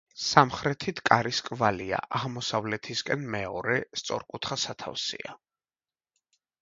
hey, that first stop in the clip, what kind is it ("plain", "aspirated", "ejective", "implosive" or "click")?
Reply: aspirated